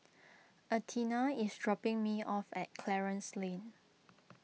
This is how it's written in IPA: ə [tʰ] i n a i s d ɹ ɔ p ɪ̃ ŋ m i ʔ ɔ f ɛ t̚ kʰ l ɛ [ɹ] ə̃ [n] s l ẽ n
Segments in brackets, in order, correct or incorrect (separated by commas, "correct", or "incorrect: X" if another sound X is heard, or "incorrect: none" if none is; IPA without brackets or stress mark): correct, correct, correct